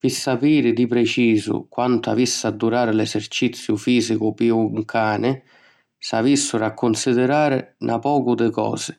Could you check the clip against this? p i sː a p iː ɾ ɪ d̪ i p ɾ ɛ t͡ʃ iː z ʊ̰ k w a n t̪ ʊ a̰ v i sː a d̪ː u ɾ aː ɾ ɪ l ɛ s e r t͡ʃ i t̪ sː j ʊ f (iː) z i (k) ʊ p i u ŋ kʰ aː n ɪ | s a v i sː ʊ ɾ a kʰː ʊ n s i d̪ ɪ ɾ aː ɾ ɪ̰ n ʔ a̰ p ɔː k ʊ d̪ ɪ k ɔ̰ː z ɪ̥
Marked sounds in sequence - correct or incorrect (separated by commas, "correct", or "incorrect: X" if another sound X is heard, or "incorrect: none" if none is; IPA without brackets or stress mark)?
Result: correct, correct